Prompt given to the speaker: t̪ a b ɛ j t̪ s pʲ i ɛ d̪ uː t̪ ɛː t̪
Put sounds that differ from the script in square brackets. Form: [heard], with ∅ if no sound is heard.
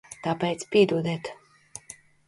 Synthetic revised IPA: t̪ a [p] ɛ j t̪ s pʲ i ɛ d̪ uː [d̪] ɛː t̪